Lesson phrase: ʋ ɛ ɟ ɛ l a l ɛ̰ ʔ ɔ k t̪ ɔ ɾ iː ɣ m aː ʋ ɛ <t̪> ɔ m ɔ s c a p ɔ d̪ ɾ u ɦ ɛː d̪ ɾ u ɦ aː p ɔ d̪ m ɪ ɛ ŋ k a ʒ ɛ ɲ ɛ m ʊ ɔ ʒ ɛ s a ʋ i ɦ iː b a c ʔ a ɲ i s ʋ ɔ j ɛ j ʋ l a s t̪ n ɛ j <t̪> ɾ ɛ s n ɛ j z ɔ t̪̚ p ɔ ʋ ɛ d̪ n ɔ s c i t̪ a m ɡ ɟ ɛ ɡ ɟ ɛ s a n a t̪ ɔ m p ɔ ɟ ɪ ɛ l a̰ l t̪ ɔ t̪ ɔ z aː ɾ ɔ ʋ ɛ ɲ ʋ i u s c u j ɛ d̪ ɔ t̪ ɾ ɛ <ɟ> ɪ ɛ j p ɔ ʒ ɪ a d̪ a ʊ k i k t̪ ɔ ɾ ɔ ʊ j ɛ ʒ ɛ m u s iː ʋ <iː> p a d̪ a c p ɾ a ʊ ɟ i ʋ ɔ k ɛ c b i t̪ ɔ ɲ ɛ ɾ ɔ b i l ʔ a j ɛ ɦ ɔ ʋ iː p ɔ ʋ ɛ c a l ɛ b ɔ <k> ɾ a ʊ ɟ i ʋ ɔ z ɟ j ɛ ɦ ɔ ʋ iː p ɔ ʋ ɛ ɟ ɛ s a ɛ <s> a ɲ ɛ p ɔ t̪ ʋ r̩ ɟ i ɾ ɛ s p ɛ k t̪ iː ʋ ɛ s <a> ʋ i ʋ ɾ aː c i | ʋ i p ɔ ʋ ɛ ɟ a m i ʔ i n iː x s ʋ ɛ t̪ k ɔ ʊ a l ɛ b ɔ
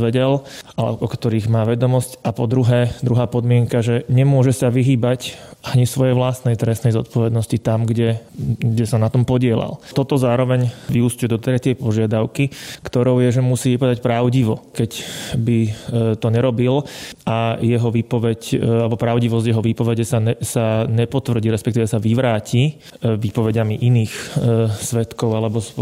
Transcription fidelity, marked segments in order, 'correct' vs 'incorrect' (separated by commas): incorrect, correct, incorrect, incorrect, incorrect, correct, correct